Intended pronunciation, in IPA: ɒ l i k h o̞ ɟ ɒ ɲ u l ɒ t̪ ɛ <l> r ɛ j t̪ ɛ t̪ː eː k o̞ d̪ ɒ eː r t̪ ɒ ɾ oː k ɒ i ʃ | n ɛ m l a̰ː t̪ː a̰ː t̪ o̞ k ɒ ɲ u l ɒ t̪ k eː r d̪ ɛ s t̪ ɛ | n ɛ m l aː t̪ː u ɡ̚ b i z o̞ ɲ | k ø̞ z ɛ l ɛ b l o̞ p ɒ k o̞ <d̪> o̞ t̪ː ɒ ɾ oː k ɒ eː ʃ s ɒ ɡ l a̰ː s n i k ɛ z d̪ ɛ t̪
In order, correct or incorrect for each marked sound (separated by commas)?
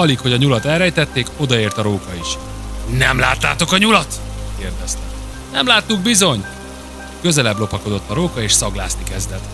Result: correct, correct